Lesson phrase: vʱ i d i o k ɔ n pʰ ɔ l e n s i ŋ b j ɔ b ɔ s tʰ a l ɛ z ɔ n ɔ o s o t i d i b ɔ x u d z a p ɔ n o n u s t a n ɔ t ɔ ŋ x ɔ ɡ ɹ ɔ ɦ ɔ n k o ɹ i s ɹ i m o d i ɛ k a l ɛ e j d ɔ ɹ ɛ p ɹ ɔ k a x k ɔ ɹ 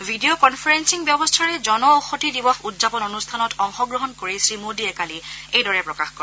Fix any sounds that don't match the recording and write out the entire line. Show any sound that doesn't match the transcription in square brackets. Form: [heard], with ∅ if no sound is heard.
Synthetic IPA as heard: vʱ i d i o k ɔ n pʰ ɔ [ɹ] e n s i ŋ b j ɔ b ɔ s tʰ a [ɹ] ɛ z ɔ n ɔ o [x] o t i d i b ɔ x u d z a p ɔ n o n u s [tʰ] a n ɔ t ɔ ŋ x ɔ ɡ ɹ ɔ ɦ ɔ n k o ɹ i s ɹ i m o d i ɛ k a l [i] e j d ɔ ɹ ɛ p ɹ ɔ k a x k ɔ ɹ